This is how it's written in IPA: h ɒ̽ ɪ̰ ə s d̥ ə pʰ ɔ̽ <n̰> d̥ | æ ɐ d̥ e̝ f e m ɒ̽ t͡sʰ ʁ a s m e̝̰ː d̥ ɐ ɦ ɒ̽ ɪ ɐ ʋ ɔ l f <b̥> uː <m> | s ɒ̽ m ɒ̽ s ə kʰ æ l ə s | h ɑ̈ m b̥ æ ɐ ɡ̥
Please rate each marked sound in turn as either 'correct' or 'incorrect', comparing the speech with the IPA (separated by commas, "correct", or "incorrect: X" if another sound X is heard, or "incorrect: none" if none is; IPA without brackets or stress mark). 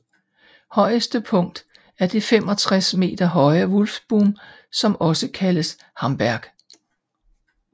incorrect: ŋ̰, correct, correct